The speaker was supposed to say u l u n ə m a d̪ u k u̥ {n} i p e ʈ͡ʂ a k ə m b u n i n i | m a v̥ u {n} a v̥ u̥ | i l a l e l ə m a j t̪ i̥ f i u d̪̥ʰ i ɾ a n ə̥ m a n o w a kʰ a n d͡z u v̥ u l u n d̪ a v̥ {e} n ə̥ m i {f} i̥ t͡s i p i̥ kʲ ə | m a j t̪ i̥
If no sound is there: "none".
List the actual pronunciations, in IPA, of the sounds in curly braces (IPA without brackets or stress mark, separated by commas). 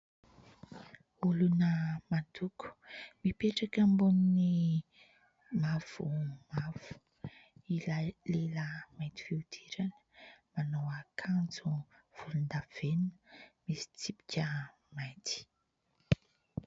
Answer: m, m, e, s